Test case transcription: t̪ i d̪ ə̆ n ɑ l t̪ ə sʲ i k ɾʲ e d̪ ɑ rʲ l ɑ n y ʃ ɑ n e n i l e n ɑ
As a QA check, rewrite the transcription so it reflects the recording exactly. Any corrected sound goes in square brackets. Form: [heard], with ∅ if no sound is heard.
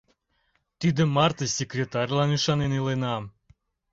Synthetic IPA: t̪ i d̪ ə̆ [m] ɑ [r] t̪ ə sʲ [e] k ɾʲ e [t̪] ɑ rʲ l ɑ n y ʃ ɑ n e n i l e n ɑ